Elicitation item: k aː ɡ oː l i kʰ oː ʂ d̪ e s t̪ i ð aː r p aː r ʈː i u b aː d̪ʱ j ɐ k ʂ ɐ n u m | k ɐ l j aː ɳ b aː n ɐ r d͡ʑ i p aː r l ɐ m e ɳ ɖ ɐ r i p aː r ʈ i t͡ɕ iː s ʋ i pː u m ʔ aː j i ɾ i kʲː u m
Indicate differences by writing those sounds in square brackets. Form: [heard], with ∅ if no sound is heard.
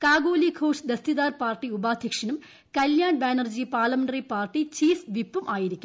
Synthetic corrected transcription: k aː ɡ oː l i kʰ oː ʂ d̪ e s t̪ i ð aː r p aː r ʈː i u b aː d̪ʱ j ɐ k ʂ ɐ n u m | k ɐ l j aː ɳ b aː n ɐ r d͡ʑ i p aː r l ɐ m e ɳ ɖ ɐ r i p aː r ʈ i t͡ɕ iː [f] ʋ i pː u m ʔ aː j i ɾ i kʲː u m